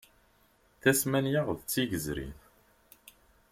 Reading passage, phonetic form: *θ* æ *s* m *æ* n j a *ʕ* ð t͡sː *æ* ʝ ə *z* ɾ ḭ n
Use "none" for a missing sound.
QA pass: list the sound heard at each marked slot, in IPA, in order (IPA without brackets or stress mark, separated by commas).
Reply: θ, s, æ, ʁ, i, z